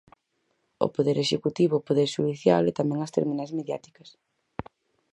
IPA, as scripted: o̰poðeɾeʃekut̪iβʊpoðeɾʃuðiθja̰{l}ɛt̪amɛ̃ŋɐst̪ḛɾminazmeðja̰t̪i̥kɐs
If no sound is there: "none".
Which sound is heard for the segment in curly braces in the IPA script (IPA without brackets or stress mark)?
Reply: l